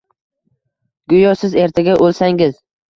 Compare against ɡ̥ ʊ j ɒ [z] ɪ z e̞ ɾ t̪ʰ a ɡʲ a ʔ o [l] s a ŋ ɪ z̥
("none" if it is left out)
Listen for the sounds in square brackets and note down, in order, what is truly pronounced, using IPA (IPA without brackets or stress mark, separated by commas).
s, l